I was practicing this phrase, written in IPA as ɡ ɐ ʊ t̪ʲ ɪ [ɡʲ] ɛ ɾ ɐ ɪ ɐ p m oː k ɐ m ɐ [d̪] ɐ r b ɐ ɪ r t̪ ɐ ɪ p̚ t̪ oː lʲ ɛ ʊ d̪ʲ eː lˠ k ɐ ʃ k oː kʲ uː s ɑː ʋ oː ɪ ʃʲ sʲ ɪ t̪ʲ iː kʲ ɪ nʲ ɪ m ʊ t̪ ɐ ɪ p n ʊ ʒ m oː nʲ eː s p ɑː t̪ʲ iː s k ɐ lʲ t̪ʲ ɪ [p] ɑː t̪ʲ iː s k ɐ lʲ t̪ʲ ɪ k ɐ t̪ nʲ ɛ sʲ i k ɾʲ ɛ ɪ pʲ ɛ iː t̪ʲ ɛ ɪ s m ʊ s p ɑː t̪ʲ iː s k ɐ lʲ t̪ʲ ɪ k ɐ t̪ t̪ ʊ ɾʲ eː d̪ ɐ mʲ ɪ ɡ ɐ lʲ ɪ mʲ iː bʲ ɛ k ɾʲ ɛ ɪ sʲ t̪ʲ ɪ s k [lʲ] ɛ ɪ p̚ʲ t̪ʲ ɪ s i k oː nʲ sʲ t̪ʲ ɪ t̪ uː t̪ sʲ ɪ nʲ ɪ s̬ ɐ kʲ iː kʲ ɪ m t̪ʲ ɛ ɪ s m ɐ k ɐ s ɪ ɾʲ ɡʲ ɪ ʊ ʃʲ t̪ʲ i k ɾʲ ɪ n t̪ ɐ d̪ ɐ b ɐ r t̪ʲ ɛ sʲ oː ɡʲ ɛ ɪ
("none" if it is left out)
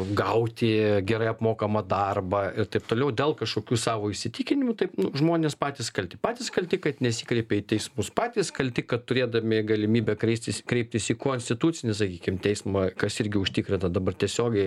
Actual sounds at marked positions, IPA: ɡʲ, d̪, p, ɾʲ

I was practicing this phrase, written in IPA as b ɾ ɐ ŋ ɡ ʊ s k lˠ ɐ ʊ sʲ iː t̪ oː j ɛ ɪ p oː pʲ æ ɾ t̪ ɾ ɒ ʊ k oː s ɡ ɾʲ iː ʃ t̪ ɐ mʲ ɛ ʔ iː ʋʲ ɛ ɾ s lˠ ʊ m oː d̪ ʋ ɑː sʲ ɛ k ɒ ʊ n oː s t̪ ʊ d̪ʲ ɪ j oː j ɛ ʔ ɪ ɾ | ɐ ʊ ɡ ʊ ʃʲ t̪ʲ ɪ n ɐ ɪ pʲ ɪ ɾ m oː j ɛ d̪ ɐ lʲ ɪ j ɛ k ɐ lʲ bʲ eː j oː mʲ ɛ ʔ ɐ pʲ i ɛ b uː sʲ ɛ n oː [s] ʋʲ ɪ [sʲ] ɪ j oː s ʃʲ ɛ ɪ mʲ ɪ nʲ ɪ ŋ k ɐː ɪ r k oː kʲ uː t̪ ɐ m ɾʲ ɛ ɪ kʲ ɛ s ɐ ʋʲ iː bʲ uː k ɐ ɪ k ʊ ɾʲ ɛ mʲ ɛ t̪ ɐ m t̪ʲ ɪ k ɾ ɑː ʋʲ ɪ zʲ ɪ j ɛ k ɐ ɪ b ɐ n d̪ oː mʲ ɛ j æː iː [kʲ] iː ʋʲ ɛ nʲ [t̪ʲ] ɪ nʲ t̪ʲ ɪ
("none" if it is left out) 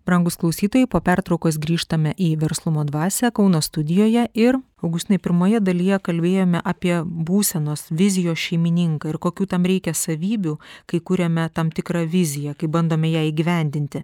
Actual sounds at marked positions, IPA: s, zʲ, ɡʲ, d̪ʲ

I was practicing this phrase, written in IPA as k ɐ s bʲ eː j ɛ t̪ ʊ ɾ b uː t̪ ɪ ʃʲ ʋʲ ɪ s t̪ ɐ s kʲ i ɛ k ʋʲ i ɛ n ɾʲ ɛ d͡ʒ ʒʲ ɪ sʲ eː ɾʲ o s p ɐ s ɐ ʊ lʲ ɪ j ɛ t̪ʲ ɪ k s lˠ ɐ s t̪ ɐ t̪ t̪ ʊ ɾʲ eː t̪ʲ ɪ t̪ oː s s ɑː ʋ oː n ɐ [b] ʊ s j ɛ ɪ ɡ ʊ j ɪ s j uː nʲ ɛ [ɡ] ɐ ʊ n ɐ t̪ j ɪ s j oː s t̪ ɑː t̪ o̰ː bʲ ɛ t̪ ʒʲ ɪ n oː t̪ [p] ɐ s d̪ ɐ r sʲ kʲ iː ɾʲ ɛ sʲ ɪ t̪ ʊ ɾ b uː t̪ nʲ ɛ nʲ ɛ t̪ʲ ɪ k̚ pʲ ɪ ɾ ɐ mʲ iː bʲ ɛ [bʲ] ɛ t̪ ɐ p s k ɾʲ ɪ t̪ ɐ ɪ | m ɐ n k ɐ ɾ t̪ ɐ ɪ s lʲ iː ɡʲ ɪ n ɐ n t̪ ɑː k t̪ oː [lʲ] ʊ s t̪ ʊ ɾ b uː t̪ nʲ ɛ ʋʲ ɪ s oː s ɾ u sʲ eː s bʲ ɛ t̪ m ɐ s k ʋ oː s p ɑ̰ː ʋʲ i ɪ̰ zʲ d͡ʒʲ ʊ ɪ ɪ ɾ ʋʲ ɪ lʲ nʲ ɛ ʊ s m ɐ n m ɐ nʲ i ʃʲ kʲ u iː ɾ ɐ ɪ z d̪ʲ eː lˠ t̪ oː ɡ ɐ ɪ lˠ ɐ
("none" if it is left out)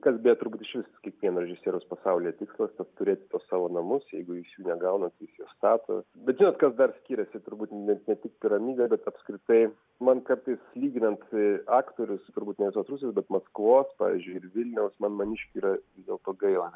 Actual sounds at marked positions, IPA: m, ɡ, k, bʲ, ɾʲ

